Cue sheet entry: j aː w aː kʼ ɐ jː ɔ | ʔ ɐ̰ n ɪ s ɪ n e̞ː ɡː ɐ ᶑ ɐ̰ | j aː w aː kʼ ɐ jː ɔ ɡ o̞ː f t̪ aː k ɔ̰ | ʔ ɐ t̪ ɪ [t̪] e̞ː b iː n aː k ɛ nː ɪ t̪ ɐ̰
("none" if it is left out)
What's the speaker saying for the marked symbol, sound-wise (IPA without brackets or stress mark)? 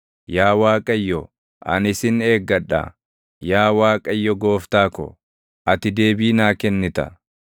d̪